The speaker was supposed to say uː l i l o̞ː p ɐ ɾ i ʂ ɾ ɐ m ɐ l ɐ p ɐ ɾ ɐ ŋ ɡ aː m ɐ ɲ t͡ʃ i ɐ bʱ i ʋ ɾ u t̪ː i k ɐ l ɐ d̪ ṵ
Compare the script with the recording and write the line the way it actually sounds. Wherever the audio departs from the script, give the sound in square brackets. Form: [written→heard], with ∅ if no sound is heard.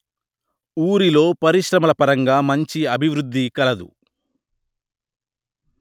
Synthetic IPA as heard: uː [l→ɾ] i l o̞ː p ɐ ɾ i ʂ ɾ ɐ m ɐ l ɐ p ɐ ɾ ɐ ŋ ɡ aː m ɐ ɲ t͡ʃ i ɐ bʱ i ʋ ɾ u [t̪ː→d̪ː] i k ɐ l ɐ d̪ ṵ